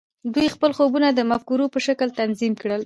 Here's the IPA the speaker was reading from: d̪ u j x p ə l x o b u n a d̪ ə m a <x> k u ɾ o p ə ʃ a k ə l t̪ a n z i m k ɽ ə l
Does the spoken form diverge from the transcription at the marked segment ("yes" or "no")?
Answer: yes